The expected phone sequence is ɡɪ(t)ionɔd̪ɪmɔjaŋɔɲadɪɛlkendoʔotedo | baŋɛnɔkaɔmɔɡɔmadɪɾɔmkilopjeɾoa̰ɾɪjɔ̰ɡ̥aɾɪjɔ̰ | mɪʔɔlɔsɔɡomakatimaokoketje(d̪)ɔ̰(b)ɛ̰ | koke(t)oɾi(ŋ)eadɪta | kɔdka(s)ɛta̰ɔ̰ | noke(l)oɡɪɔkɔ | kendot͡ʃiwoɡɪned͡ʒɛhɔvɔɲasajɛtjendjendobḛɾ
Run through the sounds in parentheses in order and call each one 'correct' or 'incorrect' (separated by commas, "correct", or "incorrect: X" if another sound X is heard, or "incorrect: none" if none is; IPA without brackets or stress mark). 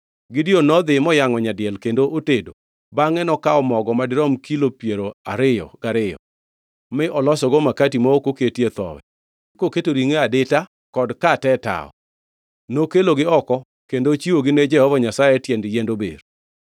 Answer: incorrect: d, incorrect: t̪, incorrect: w, correct, correct, incorrect: t, correct